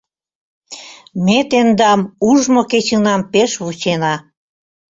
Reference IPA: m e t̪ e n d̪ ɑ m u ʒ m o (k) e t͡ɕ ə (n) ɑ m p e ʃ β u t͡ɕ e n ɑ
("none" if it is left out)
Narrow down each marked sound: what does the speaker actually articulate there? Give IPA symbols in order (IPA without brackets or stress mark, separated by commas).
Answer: k, n